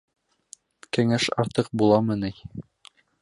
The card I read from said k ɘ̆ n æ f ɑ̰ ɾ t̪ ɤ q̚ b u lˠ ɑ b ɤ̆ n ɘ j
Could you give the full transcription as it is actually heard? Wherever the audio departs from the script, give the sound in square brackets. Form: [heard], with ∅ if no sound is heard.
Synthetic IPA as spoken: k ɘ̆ [ŋ] æ [ʃ] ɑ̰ ɾ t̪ ɤ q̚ b u lˠ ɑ [m] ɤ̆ n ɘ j